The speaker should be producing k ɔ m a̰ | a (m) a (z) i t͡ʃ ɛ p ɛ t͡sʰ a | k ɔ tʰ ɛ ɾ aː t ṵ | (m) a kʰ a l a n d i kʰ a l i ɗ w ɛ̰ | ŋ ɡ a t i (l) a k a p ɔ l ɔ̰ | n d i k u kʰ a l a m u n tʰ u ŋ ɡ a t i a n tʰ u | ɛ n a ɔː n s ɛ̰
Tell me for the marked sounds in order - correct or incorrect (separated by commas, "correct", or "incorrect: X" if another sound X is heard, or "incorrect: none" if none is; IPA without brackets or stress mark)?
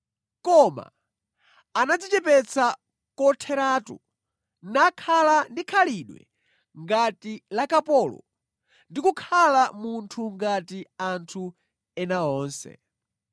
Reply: incorrect: n, incorrect: d͡z, incorrect: n, correct